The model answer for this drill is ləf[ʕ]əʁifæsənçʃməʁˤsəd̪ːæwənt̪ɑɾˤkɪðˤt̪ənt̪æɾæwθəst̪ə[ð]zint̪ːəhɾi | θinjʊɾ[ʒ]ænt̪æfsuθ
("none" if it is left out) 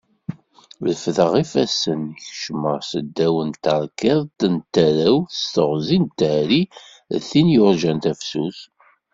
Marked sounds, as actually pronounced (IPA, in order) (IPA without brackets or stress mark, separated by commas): ð, ʁ, ʒ